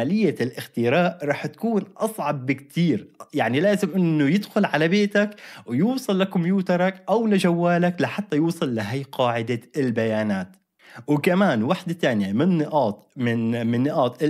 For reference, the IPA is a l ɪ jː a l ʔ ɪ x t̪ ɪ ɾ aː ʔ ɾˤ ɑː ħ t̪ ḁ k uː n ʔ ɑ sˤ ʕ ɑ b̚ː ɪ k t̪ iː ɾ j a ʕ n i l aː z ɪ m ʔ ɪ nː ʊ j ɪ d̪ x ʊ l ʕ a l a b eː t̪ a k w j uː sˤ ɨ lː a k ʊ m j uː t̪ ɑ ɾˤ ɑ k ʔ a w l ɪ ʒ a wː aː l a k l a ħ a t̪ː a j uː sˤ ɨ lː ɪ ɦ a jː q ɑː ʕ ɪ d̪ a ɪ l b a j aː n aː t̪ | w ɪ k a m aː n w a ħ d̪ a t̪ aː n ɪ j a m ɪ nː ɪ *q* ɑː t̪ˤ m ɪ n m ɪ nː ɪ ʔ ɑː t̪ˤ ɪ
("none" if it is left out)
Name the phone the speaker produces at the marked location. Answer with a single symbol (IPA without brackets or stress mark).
ʔ